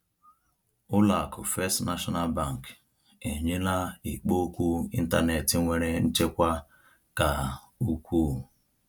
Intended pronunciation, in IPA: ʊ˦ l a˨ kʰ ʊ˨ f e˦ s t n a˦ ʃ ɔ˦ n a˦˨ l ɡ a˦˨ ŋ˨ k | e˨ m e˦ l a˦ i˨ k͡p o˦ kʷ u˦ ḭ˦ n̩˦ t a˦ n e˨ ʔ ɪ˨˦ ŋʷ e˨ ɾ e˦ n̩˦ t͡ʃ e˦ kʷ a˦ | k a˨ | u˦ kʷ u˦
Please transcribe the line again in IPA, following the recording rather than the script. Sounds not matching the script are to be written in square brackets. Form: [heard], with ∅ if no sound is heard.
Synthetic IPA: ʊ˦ l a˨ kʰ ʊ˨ f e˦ s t n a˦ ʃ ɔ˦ n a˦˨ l [b] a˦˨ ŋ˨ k | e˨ [ɲ] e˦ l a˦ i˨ k͡p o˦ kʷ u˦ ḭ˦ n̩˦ t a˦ n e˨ [t] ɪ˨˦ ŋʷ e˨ ɾ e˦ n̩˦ t͡ʃ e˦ kʷ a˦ | k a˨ | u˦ kʷ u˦